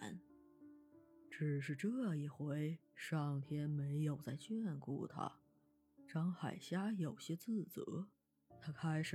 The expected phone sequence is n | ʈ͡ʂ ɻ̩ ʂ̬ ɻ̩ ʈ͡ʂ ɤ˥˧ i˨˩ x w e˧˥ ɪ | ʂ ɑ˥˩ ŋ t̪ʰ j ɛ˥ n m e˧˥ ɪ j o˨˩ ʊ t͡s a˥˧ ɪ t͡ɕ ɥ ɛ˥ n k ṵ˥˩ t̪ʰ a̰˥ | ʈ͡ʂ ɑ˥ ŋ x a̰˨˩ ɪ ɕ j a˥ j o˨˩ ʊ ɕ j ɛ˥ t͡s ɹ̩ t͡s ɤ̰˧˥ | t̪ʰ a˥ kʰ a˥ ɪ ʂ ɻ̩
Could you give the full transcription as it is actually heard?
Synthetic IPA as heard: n | ʈ͡ʂ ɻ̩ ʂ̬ ɻ̩ ʈ͡ʂ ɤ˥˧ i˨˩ x w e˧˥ ɪ | ʂ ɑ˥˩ ŋ t̪ʰ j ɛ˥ n m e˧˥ ɪ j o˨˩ ʊ t͡s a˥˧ ɪ t͡ɕ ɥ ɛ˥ n k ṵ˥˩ t̪ʰ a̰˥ | ʈ͡ʂ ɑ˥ ŋ x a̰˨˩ ɪ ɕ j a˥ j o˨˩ ʊ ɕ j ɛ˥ t͡s ɹ̩ t͡s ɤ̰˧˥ | t̪ʰ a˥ kʰ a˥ ɪ ʂ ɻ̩